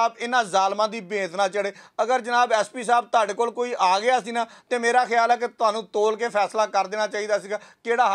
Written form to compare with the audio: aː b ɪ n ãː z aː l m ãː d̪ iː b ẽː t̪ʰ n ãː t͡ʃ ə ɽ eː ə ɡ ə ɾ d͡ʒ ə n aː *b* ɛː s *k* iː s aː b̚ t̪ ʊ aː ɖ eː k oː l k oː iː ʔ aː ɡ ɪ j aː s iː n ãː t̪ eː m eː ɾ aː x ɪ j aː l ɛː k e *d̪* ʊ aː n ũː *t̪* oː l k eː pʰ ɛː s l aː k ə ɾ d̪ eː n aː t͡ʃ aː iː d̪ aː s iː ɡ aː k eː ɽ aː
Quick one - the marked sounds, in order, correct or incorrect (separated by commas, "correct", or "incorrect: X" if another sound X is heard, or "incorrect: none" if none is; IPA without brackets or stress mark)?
correct, incorrect: p, incorrect: t̪, correct